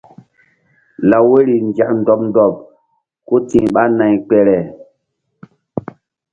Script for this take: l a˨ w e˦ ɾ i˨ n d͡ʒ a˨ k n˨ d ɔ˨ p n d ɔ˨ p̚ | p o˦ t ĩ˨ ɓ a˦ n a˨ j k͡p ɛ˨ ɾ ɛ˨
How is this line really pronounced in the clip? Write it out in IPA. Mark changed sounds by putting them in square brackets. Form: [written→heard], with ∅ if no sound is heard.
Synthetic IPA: l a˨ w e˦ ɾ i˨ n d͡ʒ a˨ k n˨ d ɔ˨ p n d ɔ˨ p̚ | [p→k] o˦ t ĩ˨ ɓ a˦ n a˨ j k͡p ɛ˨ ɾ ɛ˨